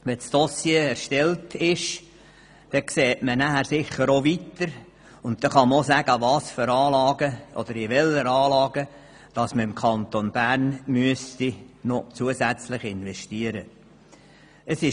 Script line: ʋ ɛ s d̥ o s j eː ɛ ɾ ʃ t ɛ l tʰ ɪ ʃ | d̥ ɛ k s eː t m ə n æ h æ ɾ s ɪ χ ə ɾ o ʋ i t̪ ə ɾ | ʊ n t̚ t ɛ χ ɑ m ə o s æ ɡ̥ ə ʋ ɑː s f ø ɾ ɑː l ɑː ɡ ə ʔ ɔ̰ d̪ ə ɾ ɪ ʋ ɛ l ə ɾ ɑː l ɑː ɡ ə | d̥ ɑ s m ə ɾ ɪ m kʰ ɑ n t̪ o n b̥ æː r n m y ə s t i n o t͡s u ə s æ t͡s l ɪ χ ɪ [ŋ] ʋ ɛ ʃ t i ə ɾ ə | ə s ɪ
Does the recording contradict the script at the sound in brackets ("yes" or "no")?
yes